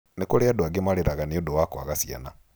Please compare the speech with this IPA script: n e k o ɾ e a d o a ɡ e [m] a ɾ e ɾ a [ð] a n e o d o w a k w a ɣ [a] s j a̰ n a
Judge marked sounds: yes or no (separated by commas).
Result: yes, no, yes